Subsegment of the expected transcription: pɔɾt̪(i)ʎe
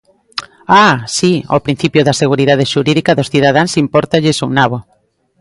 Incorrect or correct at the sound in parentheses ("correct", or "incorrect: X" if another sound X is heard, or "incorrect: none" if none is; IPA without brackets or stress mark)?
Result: incorrect: a